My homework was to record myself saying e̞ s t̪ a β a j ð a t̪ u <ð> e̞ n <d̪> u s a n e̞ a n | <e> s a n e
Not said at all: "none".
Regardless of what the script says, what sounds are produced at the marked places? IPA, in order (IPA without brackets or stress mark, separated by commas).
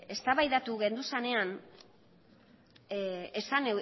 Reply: ɣ, d̪, e